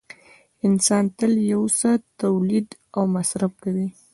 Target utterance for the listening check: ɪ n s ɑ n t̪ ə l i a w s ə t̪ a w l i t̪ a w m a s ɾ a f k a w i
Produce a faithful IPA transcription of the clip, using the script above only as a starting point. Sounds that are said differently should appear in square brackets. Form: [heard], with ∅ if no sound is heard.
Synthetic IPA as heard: ɪ n s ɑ n t̪ ə l [j] a w s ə t̪ a w l i [d̪] a w m a s ɾ a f k a w i